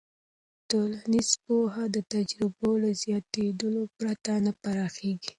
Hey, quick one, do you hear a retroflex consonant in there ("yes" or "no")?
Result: no